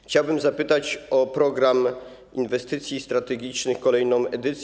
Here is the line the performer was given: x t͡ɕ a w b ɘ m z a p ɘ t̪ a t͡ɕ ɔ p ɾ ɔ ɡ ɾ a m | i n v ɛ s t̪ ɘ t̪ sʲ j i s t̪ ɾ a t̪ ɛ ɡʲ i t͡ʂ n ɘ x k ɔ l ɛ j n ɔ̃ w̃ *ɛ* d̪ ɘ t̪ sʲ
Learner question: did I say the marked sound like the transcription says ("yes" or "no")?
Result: yes